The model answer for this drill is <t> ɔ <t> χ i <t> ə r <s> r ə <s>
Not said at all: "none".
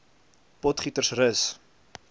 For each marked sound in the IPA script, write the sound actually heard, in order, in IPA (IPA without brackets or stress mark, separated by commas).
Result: p, t, t, s, s